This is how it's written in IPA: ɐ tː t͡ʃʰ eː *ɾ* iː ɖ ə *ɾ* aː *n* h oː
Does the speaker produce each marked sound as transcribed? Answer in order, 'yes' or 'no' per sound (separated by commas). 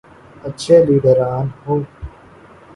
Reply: no, yes, yes